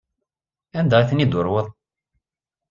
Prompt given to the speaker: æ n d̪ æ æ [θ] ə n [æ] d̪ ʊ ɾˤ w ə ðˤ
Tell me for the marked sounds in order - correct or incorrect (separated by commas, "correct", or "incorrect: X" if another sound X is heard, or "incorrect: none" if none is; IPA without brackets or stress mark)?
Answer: correct, incorrect: i